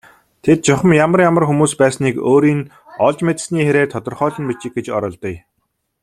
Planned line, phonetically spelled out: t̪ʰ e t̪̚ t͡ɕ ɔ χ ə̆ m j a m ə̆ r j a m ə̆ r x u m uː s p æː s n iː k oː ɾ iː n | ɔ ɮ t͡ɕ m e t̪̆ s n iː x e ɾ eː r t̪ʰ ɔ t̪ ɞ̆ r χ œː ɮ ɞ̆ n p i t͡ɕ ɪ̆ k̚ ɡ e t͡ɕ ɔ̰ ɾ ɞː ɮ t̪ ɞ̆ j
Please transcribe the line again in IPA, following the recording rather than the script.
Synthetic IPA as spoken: t̪ʰ e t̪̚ t͡ɕ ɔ χ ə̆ m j a m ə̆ r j a m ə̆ r x u m uː s p æː s n iː k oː ɾ iː n | ɔ ɮ t͡ɕ m e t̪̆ s n iː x e ɾ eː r t̪ʰ ɔ t̪ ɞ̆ r χ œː ɮ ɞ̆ n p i t͡ɕ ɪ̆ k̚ ɡ e t͡ɕ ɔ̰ ɾ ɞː ɮ t̪ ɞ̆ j